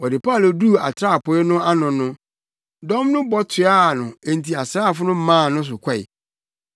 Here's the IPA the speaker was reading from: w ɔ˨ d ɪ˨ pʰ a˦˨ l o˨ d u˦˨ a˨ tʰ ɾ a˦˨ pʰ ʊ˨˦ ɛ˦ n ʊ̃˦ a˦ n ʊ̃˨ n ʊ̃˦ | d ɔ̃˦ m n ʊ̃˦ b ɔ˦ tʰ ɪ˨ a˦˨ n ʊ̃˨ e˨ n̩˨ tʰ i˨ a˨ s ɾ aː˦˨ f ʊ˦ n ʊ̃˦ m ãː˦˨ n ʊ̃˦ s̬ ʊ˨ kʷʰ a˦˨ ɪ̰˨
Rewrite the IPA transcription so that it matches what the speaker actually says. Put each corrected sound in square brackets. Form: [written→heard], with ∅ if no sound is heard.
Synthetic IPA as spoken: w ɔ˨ d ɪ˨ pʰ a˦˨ l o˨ d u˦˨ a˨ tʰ ɾ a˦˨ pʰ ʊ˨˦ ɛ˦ n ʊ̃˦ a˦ n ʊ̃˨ n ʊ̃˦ | d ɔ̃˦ m n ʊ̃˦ b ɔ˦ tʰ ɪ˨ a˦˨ n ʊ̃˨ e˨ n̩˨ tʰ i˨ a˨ s ɾ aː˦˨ f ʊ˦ n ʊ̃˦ m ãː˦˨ n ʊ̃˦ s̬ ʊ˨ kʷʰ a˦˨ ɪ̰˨